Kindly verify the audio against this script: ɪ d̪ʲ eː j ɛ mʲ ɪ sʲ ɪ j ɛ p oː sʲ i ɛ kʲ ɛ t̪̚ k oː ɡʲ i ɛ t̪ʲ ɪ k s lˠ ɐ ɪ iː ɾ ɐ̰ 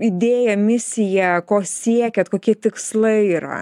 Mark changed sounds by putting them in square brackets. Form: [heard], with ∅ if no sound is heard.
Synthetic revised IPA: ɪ d̪ʲ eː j ɛ mʲ ɪ sʲ ɪ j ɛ [k] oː sʲ i ɛ kʲ ɛ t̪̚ k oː [kʲ] i ɛ t̪ʲ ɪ k s lˠ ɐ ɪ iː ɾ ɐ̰